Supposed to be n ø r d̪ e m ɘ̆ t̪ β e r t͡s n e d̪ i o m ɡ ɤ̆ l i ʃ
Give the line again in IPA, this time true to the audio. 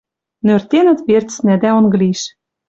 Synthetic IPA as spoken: n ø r t̪ e n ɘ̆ t̪ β e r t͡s n æ d̪ æ o n ɡ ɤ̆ l i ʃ

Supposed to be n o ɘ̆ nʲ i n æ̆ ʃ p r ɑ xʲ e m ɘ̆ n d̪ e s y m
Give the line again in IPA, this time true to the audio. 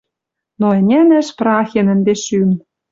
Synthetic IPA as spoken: n o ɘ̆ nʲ æ n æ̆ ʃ p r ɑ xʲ e n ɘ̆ n d̪ e ʃ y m

